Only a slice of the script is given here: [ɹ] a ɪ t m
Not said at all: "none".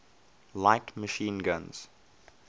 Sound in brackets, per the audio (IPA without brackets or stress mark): l